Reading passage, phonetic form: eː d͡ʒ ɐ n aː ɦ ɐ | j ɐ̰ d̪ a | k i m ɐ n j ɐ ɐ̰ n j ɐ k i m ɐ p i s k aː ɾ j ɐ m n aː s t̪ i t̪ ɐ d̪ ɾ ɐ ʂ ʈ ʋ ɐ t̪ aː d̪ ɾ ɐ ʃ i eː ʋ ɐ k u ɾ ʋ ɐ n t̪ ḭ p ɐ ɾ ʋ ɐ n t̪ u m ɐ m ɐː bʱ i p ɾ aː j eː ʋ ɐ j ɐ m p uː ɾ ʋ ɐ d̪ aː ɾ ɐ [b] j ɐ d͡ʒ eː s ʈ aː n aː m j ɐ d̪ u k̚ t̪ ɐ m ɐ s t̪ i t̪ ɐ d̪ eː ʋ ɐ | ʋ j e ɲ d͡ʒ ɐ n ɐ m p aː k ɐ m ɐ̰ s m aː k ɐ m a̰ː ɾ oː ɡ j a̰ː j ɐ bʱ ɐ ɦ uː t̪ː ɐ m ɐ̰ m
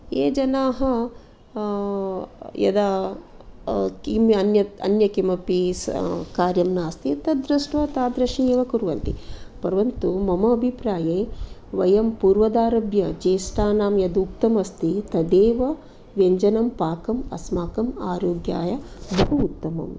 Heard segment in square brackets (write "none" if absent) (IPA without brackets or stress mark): b